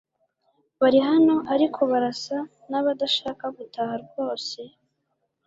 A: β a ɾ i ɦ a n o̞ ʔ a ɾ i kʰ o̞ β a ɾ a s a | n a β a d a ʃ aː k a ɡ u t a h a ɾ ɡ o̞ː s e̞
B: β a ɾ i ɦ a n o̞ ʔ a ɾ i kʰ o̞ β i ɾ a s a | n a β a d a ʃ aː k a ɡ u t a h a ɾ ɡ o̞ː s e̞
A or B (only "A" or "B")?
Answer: A